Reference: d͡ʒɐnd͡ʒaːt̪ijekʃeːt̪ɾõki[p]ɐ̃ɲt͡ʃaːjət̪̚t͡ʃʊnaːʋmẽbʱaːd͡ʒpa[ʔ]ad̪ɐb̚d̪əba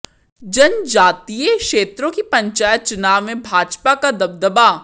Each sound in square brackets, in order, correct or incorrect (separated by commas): correct, incorrect